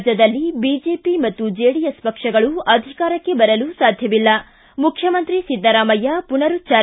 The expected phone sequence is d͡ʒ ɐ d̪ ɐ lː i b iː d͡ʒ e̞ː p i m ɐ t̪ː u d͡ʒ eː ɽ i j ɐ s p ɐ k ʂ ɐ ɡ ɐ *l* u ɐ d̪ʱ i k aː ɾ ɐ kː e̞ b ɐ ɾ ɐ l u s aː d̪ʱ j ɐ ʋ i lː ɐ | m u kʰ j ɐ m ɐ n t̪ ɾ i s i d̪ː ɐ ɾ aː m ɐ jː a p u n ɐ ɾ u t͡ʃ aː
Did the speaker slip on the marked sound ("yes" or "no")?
yes